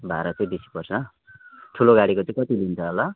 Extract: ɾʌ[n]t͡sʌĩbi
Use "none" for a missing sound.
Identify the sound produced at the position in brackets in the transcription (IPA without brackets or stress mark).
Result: none